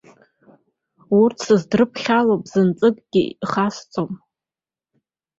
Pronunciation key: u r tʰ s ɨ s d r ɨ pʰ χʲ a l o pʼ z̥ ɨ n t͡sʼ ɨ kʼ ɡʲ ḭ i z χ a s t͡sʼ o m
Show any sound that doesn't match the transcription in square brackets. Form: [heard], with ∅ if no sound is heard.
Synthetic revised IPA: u r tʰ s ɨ [z] d r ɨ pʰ χʲ a l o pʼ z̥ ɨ n t͡sʼ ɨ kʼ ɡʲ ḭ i [∅] χ a s t͡sʼ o m